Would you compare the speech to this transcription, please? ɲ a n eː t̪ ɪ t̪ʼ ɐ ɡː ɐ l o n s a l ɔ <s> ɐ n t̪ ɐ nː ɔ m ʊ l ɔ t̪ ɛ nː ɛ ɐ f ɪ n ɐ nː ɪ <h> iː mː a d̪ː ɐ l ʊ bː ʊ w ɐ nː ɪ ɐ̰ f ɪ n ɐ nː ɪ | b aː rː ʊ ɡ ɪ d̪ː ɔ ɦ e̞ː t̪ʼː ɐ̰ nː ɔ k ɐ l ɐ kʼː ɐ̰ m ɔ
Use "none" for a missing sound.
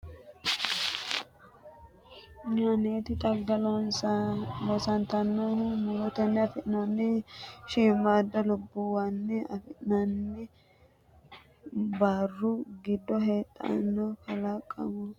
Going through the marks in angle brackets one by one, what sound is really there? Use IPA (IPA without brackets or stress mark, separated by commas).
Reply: s, ʃ